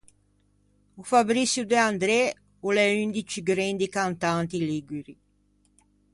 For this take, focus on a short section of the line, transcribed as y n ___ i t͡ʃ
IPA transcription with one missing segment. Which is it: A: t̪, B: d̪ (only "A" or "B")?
B